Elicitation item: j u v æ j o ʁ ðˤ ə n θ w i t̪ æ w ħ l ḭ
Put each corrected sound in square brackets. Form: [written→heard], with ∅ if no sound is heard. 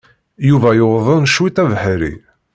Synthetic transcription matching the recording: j u v æ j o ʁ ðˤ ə n [θ→ʃ] w i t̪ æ [w→v] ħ [l→ɾ] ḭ